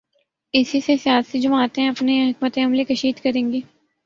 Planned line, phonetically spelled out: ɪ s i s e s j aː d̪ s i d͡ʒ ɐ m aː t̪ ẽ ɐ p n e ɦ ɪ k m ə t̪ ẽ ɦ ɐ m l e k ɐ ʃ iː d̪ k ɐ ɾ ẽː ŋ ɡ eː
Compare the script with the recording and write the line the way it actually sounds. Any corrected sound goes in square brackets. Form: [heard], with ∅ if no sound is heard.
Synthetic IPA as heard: ɪ s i s e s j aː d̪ s i d͡ʒ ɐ m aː t̪ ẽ ɐ p n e ɦ ɪ k m ə t̪ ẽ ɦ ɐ m l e k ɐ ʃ iː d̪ k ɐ ɾ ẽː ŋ ɡ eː